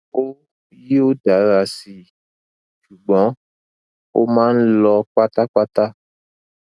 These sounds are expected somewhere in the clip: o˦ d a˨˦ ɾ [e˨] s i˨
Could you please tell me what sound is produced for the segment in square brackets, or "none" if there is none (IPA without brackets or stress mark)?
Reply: a˨